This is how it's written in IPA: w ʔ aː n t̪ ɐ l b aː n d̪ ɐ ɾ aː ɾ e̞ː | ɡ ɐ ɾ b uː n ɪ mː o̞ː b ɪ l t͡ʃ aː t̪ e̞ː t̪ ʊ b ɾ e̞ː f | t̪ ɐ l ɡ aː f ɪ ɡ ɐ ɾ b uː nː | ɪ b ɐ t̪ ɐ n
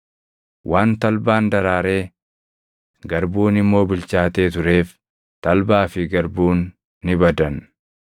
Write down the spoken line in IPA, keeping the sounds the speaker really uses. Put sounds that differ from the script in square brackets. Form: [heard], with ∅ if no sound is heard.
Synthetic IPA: w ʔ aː n t̪ ɐ l b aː n d̪ ɐ ɾ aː ɾ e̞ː | ɡ ɐ ɾ b uː n ɪ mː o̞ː b ɪ l t͡ʃ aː t̪ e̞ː t̪ ʊ [∅] ɾ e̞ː f | t̪ ɐ l [b] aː f ɪ ɡ ɐ ɾ b uː nː | ɪ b ɐ [d̪] ɐ n

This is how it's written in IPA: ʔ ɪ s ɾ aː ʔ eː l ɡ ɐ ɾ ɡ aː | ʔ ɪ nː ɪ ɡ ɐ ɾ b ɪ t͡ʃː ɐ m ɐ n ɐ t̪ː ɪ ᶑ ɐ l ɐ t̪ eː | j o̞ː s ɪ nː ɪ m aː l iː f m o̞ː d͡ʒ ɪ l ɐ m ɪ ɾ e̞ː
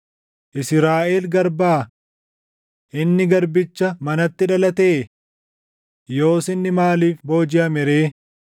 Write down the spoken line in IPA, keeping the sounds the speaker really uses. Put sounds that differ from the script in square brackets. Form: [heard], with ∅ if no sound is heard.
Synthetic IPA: ʔ ɪ s ɾ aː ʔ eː l ɡ ɐ ɾ [b] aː | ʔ ɪ nː ɪ ɡ ɐ ɾ b ɪ t͡ʃː ɐ m ɐ n ɐ t̪ː ɪ ᶑ ɐ l ɐ t̪ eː | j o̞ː s ɪ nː ɪ m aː l iː f [b] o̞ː d͡ʒ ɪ [∅] ɐ m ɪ ɾ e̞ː

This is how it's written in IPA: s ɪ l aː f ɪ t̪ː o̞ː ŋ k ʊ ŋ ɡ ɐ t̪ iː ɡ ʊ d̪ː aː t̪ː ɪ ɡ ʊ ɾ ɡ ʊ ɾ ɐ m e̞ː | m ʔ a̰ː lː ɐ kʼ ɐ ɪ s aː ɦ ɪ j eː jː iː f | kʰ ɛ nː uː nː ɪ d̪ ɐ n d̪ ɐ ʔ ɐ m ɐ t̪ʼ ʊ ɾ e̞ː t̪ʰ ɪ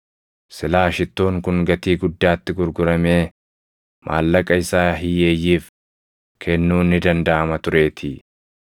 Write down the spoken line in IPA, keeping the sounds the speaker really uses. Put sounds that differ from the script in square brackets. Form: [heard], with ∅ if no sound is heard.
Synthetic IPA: s ɪ l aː [ʃ] ɪ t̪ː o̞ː ŋ k ʊ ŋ ɡ ɐ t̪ iː ɡ ʊ d̪ː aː t̪ː ɪ ɡ ʊ ɾ ɡ ʊ ɾ ɐ m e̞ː | m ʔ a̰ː lː ɐ kʼ ɐ ɪ s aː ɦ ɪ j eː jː iː f | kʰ ɛ nː uː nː ɪ d̪ ɐ n d̪ ɐ ʔ ɐ m ɐ [t̪] ʊ ɾ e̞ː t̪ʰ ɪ

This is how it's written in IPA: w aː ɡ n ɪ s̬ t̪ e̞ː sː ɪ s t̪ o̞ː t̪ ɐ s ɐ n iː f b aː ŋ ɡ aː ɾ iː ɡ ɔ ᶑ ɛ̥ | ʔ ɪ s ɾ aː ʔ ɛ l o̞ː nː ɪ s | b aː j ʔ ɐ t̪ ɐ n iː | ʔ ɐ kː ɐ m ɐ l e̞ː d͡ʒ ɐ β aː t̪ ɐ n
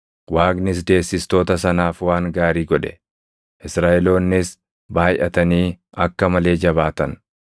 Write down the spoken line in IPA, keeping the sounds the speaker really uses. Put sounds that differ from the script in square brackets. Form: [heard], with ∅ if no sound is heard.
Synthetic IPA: w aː ɡ n ɪ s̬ [d̪] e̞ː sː ɪ s t̪ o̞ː t̪ ɐ s ɐ n [aː] f [w] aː ŋ ɡ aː ɾ iː ɡ ɔ ᶑ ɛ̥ | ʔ ɪ s ɾ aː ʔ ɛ l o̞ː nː ɪ s | b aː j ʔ ɐ t̪ ɐ n iː | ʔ ɐ kː ɐ m ɐ l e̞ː d͡ʒ ɐ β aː t̪ ɐ n

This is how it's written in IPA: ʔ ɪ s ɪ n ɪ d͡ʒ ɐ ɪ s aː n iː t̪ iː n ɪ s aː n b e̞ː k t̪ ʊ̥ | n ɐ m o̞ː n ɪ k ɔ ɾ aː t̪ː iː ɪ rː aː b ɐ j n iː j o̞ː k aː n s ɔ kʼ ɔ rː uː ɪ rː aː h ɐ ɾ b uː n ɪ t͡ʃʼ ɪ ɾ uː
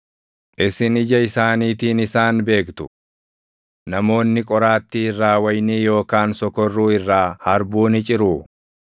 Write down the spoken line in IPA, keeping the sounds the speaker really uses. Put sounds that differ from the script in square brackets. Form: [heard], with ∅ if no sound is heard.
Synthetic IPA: ʔ ɪ s ɪ n ɪ d͡ʒ ɐ ɪ s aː n iː t̪ iː n ɪ s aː n b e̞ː k t̪ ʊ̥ | n ɐ m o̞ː [nː] ɪ [kʼ] ɔ ɾ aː t̪ː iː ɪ rː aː [w] ɐ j n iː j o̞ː k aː n s ɔ [k] ɔ rː uː ɪ rː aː h ɐ ɾ b uː n ɪ t͡ʃʼ ɪ ɾ uː

